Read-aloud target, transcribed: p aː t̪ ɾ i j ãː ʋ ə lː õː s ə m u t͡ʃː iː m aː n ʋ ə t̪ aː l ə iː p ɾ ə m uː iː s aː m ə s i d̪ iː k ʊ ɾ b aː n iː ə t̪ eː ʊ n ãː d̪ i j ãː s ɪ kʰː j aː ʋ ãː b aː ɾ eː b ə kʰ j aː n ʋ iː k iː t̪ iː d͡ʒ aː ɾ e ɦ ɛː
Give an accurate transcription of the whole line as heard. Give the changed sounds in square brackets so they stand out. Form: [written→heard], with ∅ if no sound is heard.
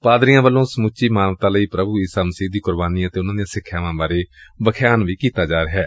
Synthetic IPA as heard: p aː [t̪→d̪] ɾ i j ãː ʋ ə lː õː s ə m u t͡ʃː iː m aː n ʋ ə t̪ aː l ə iː p ɾ ə [m→b] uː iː s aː m ə s [i→iː] d̪ iː k ʊ ɾ b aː n iː ə t̪ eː ʊ n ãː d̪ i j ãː s ɪ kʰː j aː ʋ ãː b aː ɾ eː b ə kʰ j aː n ʋ iː k iː t̪ [iː→aː] d͡ʒ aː ɾ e ɦ ɛː